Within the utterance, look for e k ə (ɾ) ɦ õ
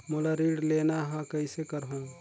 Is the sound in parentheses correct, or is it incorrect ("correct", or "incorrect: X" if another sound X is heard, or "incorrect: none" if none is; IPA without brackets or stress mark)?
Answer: correct